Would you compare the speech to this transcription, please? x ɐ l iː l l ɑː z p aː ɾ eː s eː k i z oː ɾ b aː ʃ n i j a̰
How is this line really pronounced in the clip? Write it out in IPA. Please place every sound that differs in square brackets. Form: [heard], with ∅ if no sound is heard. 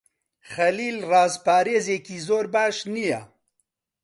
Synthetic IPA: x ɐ l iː l [r] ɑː z p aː ɾ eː [z] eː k i z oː ɾ b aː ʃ n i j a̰